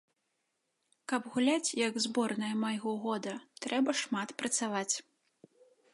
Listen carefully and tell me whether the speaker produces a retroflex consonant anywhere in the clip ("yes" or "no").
yes